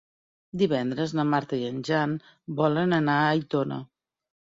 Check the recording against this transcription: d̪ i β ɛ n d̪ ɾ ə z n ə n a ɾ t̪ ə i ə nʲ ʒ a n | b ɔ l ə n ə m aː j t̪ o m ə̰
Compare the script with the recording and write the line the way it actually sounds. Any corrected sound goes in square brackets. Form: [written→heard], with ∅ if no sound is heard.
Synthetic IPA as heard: d̪ i β ɛ n d̪ ɾ ə z n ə [n→m] a ɾ t̪ ə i ə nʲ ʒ a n | b ɔ l ə n ə [m→n] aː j t̪ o [m→n] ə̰

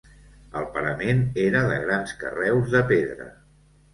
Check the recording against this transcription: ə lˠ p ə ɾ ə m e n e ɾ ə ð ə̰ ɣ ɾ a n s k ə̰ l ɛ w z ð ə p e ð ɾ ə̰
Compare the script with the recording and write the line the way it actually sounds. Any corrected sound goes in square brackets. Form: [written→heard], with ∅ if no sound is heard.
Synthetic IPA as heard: ə lˠ p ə ɾ ə m e n e ɾ ə ð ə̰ ɣ ɾ a n s k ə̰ [l→r] ɛ w z ð ə p e ð ɾ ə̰

